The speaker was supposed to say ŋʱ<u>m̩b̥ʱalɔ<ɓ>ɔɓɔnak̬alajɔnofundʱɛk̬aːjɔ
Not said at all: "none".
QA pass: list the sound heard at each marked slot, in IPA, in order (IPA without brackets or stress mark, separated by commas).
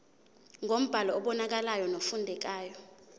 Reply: o, none